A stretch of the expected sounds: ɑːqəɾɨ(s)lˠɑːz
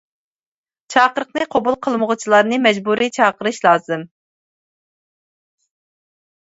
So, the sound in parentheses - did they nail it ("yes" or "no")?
no